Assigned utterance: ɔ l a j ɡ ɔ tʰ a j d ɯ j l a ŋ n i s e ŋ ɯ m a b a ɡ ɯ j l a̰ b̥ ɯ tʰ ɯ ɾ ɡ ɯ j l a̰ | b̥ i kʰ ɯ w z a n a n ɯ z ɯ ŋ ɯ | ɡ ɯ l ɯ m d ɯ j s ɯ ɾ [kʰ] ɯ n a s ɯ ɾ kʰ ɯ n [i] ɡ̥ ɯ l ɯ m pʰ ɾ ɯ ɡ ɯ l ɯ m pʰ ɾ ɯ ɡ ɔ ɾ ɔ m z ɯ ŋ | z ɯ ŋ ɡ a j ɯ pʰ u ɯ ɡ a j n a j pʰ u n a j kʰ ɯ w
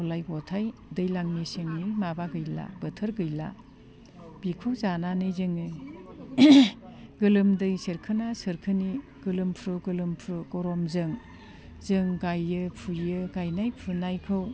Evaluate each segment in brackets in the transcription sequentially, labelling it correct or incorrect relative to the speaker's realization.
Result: correct, correct

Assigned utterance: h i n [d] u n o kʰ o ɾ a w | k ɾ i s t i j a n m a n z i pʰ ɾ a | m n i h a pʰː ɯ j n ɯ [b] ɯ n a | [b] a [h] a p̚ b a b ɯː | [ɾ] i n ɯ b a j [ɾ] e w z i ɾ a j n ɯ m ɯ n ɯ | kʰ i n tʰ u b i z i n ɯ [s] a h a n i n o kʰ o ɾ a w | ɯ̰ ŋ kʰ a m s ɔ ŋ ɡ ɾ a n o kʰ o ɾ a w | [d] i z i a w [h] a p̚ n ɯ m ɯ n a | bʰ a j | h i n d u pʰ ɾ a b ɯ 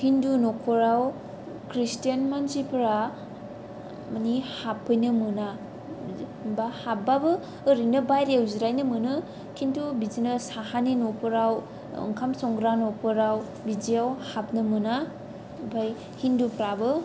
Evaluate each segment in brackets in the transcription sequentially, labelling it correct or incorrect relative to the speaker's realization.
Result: correct, incorrect: m, correct, correct, correct, correct, correct, incorrect: b, correct

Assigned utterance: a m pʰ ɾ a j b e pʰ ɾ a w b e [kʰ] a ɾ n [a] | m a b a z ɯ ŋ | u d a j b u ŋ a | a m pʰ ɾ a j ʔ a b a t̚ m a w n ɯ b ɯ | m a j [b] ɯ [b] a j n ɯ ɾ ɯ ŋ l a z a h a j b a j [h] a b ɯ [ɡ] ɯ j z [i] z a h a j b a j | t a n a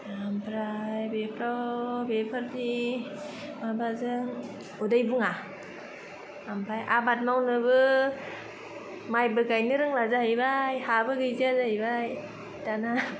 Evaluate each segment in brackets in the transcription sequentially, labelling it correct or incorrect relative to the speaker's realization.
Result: incorrect: pʰ, incorrect: i, correct, incorrect: ɡ, correct, correct, incorrect: a

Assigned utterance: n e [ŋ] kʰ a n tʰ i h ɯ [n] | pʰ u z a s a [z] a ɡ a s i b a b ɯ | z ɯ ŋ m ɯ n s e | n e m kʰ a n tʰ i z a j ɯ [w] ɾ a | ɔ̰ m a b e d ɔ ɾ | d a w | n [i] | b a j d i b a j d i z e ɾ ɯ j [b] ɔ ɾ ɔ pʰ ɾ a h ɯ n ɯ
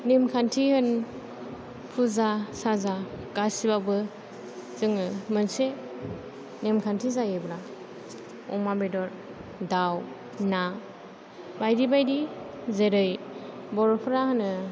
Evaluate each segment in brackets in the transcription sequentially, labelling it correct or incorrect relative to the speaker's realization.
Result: incorrect: m, correct, correct, incorrect: b, incorrect: a, correct

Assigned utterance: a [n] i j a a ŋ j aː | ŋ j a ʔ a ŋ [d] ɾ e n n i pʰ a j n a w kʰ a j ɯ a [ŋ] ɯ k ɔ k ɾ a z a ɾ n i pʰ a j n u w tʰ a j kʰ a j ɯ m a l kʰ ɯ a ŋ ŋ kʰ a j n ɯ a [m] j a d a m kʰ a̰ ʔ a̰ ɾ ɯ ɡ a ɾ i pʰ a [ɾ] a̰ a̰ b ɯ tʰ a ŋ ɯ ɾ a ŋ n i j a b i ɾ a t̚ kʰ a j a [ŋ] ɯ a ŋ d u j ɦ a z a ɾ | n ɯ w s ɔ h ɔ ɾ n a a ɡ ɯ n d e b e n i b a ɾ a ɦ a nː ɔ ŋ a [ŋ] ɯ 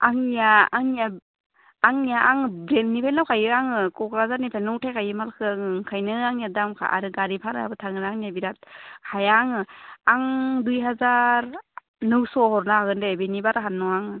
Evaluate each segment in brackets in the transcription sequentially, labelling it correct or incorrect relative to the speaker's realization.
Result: incorrect: ŋ, incorrect: b, correct, incorrect: ŋ, correct, correct, correct

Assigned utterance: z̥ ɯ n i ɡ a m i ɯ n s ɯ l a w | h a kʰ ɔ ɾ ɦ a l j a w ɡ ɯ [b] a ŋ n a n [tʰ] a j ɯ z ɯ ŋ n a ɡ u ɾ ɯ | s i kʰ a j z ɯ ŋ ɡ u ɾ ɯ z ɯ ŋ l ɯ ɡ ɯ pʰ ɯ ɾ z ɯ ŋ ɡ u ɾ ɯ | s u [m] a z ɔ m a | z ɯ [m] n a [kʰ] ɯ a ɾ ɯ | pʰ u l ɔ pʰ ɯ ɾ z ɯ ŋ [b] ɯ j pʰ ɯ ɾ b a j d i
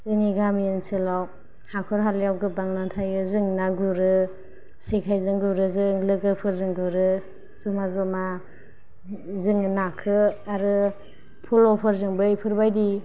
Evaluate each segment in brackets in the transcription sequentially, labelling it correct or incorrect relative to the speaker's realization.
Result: correct, correct, correct, incorrect: ŋ, correct, correct

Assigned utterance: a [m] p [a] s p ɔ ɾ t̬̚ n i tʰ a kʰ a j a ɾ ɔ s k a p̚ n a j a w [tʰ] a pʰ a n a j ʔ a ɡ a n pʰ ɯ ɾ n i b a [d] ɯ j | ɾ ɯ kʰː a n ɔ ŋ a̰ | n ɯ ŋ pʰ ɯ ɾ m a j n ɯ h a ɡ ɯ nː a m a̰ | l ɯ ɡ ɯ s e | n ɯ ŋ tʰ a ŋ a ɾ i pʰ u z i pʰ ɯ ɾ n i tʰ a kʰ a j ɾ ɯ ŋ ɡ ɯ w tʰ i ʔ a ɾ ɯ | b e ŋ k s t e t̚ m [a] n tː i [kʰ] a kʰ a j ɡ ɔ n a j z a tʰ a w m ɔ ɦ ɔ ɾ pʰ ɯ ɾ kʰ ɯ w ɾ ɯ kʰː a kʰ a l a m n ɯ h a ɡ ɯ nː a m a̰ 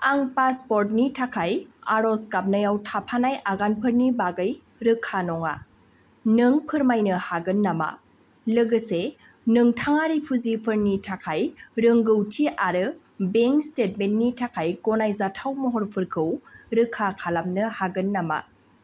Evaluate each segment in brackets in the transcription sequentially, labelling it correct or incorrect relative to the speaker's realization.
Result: incorrect: ŋ, correct, correct, incorrect: ɡ, incorrect: e, incorrect: tʰ

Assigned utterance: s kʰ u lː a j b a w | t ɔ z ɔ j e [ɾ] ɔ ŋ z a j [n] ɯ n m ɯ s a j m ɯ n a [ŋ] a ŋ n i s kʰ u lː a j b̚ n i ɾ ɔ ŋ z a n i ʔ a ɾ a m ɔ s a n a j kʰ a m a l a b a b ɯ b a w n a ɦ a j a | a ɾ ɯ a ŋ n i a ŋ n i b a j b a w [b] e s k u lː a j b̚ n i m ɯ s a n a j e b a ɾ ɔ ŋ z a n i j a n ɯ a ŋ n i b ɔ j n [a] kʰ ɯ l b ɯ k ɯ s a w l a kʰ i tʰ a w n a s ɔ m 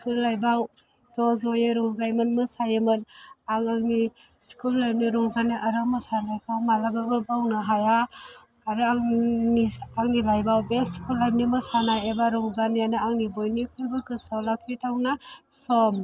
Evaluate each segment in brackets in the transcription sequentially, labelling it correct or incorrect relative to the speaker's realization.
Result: correct, incorrect: m, correct, correct, incorrect: i

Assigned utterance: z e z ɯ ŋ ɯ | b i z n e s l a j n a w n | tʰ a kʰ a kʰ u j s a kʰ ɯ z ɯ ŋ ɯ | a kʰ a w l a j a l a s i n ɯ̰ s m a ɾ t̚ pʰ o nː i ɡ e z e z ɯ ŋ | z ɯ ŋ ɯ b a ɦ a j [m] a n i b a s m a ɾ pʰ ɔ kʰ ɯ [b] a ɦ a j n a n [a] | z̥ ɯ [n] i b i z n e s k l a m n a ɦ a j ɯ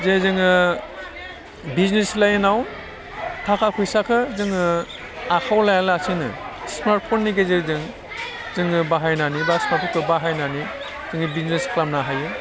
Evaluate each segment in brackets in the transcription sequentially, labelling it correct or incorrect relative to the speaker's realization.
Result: incorrect: n, correct, incorrect: i, incorrect: ŋ

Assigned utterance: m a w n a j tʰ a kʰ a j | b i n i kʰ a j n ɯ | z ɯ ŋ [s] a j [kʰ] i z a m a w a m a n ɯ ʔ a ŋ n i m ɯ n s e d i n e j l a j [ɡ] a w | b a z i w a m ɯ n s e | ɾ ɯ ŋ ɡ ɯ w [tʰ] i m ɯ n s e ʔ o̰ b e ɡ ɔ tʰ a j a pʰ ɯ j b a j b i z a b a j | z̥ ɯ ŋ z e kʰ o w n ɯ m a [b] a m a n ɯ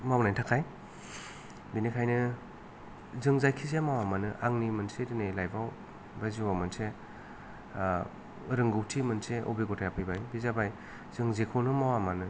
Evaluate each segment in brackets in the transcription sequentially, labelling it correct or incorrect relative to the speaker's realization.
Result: incorrect: z, correct, incorrect: b, correct, incorrect: w

